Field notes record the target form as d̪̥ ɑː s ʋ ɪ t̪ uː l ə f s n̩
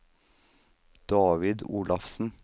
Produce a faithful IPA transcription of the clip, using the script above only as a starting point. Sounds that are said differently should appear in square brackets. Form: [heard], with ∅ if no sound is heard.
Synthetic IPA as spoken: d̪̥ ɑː [∅] ʋ ɪ [d̪] uː l [ɑ] f s n̩